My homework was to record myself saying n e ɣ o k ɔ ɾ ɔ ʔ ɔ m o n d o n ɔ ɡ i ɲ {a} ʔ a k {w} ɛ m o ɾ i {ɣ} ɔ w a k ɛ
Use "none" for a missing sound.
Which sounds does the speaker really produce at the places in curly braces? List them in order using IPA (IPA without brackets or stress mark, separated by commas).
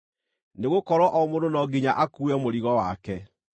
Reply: a, u, ɣ